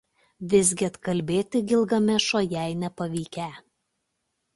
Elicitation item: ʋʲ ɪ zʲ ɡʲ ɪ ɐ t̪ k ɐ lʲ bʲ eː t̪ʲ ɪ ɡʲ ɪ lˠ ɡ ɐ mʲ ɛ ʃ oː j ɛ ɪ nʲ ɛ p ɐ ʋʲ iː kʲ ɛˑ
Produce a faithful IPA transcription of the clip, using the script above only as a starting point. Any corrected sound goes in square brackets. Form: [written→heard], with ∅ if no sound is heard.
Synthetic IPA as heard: ʋʲ ɪ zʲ ɡʲ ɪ ɐ t̪ k ɐ lʲ bʲ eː t̪ʲ ɪ ɡʲ ɪ lˠ ɡ ɐ mʲ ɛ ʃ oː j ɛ ɪ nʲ ɛ p ɐ ʋʲ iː kʲ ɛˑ